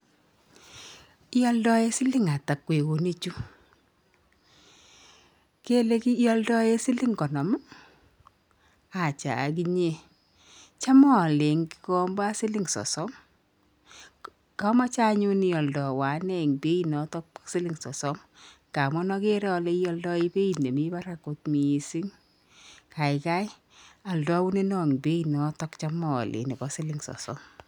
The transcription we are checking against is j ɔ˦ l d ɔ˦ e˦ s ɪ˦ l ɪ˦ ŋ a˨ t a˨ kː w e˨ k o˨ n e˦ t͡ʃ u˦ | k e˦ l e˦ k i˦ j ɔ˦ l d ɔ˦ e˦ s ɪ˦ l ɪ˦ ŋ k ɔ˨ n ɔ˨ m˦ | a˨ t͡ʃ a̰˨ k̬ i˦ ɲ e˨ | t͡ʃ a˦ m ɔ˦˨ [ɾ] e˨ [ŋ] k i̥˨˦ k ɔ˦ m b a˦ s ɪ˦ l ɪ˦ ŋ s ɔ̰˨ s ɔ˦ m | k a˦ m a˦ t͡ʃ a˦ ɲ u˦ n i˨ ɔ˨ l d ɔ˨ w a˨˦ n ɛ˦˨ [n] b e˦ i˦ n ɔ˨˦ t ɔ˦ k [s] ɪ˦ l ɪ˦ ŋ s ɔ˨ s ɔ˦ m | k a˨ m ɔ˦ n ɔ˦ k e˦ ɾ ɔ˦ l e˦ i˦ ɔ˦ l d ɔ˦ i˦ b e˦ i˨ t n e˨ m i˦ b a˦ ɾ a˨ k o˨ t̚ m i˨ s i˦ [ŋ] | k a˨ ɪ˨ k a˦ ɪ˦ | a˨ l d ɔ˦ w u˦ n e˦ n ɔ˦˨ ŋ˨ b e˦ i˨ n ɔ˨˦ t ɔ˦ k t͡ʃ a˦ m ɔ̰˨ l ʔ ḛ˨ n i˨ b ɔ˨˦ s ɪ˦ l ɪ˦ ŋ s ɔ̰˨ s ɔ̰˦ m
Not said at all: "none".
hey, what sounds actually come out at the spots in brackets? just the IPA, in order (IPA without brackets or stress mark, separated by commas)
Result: l, ŋ, ŋ, s, ŋ